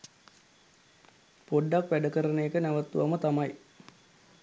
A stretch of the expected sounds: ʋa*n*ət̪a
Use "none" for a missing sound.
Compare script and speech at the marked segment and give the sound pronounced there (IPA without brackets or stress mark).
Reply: m